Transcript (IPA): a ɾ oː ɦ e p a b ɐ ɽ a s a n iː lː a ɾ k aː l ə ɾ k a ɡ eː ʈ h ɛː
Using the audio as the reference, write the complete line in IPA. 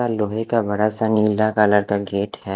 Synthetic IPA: a l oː ɦ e k a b ɐ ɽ a s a n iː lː a k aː l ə ɾ k a ɡ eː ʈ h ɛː